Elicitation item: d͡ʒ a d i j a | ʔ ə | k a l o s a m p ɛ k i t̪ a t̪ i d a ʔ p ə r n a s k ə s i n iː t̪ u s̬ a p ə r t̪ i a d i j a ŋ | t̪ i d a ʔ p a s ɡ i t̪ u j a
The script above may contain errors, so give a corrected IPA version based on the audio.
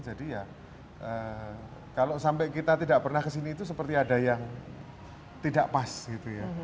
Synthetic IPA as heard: d͡ʒ a d i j a | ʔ ə | k a l o s a m p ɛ k i t̪ a t̪ i d a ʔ p ə r n a h k ə s i n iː t̪ u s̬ ə p ə r t̪ i a d a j a ŋ | t̪ i d a ʔ p a s ɡ i t̪ u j a